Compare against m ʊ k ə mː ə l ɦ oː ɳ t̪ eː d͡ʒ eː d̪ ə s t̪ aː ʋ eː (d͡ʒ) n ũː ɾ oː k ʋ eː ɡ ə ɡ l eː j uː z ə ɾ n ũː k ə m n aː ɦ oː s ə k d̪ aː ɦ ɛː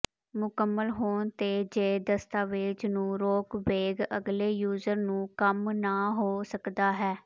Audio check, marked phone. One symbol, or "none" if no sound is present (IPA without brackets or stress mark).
d͡ʒ